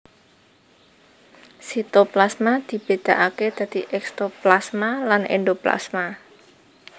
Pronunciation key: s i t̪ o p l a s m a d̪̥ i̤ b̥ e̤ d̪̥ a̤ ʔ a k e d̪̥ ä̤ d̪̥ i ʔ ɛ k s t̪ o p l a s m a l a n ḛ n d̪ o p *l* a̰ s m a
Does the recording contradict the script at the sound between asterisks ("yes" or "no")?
no